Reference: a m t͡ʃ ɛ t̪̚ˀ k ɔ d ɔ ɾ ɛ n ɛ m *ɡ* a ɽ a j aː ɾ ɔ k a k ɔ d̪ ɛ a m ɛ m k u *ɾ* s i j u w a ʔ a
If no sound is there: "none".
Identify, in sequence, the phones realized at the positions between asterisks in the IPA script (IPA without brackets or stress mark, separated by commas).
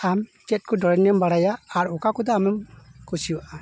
b, none